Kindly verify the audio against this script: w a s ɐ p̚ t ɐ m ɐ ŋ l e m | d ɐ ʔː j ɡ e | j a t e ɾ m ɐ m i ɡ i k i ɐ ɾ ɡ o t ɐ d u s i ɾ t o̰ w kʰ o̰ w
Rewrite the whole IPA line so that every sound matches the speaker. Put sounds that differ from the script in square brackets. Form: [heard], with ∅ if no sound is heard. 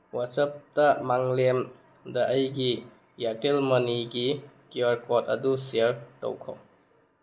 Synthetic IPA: w a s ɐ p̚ t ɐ m [a] ŋ l e m | d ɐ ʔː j ɡ [i] | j a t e [l] m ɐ [n] i ɡ i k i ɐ ɾ [k] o t ɐ d u s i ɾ t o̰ w kʰ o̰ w